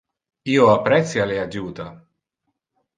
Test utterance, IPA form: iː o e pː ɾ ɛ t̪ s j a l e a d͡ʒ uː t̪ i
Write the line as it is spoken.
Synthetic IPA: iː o a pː ɾ ɛ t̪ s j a l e a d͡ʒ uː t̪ a